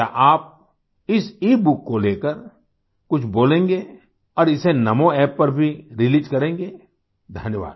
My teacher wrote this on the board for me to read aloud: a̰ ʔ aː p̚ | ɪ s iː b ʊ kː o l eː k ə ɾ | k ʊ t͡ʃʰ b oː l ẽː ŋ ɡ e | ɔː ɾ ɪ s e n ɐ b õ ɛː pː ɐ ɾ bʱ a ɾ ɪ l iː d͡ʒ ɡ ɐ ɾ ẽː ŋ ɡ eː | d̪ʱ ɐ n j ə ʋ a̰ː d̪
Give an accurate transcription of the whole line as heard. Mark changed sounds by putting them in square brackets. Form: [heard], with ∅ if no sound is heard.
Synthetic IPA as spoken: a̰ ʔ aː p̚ | ɪ s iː b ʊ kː o l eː k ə ɾ | k ʊ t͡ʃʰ b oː l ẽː ŋ ɡ e | ɔː ɾ ɪ s e n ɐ [m] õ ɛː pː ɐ ɾ bʱ [i] ɾ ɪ l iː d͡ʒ [k] ɐ ɾ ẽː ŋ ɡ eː | d̪ʱ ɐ n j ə ʋ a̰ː d̪